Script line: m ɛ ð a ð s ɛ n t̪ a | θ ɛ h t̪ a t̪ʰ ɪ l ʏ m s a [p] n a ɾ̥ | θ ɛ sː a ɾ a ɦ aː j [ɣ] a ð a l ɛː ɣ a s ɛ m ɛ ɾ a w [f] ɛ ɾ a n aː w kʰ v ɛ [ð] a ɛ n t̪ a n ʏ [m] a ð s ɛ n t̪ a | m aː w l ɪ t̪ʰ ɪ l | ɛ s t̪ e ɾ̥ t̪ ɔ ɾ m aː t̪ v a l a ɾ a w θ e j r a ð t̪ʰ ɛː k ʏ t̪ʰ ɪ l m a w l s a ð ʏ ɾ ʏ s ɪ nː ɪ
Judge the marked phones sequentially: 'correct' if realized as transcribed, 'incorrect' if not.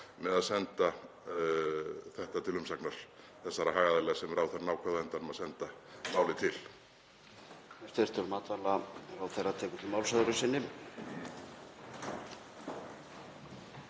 incorrect, correct, incorrect, correct, correct

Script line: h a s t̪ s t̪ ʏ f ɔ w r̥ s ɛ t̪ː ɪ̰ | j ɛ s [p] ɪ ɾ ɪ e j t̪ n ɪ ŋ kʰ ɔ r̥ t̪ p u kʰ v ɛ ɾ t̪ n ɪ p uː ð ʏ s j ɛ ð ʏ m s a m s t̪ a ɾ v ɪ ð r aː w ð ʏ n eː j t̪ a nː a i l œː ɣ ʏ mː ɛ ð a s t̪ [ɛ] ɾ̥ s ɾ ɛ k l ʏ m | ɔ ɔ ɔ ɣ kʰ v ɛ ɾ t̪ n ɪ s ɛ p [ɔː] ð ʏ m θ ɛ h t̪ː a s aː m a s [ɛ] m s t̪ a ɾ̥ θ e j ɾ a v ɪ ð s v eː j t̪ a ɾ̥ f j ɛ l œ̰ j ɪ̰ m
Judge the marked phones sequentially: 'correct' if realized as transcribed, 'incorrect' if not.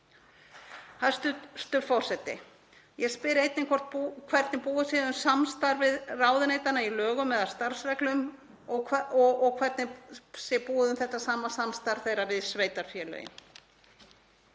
correct, incorrect, incorrect, incorrect

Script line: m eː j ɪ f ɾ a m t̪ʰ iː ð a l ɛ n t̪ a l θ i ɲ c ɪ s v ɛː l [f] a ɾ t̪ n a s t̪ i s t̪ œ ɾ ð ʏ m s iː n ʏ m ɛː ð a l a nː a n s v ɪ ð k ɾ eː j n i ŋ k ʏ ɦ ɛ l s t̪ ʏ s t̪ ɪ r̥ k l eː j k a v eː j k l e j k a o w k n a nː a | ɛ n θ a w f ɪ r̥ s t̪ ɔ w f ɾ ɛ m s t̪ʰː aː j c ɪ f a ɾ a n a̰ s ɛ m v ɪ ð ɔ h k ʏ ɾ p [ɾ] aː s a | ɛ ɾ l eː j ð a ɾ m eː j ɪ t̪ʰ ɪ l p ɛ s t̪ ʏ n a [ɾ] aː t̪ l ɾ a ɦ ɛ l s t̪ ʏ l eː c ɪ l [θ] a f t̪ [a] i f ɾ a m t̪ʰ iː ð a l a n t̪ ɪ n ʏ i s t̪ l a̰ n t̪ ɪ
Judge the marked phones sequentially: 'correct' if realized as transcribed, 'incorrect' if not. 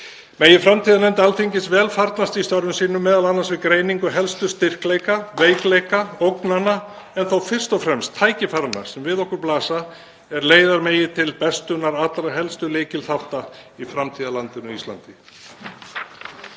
correct, incorrect, correct, correct, correct

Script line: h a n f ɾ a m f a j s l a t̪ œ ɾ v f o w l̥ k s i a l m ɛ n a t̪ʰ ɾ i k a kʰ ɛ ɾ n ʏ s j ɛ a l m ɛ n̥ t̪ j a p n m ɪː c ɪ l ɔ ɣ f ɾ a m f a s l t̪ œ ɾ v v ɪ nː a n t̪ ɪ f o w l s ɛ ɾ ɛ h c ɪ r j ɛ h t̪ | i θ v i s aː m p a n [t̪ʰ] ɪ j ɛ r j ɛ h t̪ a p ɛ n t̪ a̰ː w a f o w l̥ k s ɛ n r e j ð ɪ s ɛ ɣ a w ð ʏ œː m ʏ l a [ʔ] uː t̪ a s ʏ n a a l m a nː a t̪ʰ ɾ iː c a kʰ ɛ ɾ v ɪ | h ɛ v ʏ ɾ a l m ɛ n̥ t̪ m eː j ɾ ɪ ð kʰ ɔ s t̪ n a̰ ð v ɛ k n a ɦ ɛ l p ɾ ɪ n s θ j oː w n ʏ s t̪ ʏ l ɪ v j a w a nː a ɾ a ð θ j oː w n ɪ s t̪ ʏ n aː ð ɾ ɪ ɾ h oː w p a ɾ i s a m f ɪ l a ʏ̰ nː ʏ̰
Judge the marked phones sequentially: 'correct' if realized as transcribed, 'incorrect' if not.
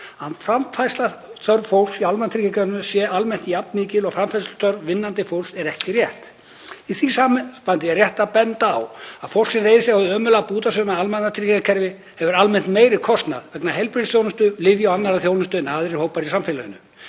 incorrect, incorrect

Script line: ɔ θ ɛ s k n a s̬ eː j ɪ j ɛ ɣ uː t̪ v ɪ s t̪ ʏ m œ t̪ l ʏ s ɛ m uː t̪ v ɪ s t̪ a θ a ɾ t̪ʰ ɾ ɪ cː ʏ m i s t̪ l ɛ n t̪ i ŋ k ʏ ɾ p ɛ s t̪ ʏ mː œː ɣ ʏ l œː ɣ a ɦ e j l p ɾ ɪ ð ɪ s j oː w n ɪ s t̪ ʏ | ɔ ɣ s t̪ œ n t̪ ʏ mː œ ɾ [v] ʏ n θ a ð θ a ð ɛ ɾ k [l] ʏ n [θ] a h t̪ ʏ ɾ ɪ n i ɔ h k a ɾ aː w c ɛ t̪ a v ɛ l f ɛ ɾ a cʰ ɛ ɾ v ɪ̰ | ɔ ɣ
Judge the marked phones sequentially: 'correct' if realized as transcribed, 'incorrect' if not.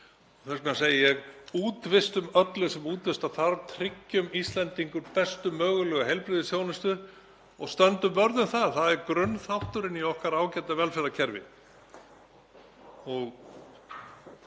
incorrect, incorrect, correct

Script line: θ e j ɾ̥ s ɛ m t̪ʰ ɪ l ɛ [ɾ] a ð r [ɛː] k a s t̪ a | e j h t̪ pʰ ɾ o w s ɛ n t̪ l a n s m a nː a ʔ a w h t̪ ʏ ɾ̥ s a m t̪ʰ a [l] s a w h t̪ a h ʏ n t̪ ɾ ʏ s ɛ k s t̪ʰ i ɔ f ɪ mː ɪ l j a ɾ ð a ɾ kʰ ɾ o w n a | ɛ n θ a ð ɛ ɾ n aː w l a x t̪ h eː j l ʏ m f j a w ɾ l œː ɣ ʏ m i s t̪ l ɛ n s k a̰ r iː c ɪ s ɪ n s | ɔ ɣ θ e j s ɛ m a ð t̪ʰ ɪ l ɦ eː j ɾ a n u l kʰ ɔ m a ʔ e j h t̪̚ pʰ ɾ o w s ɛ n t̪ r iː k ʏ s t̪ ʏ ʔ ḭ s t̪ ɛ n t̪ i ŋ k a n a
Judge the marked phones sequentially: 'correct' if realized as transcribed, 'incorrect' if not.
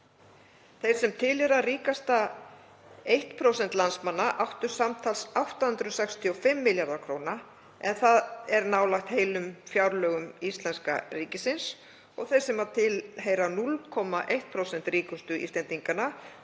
correct, incorrect, correct

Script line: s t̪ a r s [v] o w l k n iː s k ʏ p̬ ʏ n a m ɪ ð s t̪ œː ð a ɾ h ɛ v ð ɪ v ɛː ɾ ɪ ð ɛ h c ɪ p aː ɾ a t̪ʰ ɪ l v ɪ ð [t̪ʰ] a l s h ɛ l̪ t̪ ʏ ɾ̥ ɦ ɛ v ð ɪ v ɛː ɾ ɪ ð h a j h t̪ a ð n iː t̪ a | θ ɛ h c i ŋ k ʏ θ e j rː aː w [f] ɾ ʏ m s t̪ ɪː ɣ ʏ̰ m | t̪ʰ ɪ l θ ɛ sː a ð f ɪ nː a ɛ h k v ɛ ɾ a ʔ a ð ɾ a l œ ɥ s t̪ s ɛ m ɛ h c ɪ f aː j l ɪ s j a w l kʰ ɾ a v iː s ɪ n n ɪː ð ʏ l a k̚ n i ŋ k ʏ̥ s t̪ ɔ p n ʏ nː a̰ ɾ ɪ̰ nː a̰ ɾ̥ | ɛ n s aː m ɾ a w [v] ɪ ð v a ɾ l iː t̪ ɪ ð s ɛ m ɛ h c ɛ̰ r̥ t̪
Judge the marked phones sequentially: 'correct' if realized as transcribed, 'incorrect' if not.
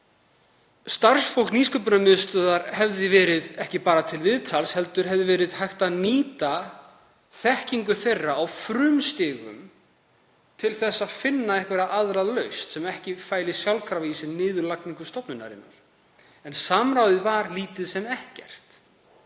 incorrect, correct, correct, incorrect

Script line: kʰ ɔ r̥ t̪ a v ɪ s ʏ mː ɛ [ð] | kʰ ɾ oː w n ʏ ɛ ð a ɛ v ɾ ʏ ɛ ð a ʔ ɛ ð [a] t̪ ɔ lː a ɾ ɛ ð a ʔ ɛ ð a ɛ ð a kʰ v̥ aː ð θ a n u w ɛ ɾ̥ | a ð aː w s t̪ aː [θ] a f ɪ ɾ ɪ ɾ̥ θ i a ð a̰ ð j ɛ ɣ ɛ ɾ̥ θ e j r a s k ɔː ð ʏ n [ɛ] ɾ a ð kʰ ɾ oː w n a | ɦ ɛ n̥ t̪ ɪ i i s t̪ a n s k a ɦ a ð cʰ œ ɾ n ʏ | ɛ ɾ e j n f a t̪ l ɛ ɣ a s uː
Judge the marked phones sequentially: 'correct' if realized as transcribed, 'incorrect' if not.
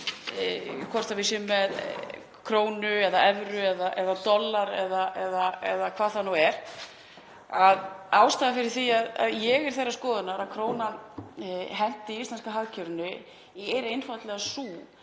correct, correct, incorrect, incorrect

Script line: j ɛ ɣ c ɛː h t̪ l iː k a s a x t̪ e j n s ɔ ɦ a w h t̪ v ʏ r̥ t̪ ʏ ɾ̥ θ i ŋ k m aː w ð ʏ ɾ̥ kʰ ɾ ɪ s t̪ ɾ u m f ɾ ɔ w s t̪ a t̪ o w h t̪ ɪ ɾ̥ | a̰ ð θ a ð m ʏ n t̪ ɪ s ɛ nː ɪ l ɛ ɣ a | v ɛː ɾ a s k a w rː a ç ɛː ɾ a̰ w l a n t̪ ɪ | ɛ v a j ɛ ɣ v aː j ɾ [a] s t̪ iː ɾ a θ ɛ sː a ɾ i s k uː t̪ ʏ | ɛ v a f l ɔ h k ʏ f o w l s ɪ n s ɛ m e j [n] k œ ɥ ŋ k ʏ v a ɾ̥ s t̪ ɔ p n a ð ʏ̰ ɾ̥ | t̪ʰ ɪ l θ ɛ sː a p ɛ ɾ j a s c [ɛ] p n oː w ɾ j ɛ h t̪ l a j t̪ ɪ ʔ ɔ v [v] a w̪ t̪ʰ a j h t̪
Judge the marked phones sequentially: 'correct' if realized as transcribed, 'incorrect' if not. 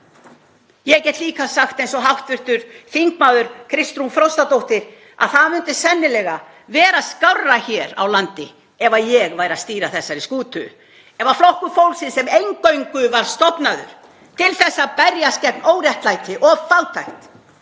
correct, incorrect, correct, incorrect

